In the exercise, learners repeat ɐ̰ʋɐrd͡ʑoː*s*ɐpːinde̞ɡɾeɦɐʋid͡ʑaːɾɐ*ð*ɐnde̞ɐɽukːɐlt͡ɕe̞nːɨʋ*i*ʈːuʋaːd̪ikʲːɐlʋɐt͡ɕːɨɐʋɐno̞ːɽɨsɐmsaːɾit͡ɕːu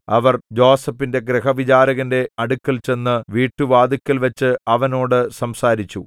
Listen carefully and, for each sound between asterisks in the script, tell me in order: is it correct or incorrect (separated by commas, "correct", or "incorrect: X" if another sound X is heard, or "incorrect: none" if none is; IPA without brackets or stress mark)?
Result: correct, incorrect: ɣ, incorrect: iː